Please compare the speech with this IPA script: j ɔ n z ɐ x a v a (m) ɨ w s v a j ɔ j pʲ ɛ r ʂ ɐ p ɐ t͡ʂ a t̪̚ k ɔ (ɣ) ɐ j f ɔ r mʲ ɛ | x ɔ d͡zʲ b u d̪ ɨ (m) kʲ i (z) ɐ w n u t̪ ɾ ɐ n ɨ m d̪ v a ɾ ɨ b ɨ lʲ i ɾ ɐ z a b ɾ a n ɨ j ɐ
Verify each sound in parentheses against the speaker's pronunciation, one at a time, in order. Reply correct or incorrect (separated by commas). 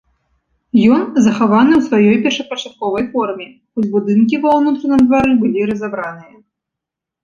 incorrect, incorrect, incorrect, incorrect